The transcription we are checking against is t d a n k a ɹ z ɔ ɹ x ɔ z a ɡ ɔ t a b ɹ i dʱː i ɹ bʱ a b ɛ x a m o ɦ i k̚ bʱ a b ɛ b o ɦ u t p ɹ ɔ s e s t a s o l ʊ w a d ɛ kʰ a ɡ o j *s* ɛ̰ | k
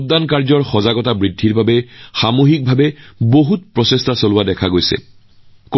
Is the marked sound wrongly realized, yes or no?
no